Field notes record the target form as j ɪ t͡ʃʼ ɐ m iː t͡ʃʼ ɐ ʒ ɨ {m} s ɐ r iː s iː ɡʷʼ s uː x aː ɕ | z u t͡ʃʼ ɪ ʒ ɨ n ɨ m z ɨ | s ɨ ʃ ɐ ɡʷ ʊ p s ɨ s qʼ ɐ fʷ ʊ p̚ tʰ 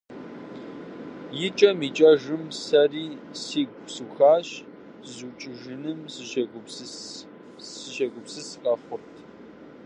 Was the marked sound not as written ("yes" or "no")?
no